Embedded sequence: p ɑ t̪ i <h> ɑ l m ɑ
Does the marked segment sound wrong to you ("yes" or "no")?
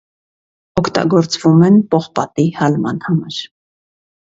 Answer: no